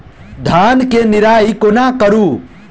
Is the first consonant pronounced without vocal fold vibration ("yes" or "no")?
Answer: no